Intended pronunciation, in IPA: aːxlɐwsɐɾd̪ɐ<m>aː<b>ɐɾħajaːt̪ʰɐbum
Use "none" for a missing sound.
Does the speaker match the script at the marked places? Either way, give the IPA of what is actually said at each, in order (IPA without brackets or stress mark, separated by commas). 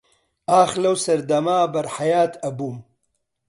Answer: m, b